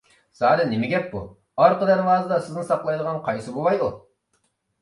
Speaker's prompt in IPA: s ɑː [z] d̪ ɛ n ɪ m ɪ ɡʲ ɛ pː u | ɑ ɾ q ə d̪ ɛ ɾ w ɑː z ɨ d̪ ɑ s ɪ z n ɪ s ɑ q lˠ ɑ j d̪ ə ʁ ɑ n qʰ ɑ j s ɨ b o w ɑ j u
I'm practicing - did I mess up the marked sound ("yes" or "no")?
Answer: yes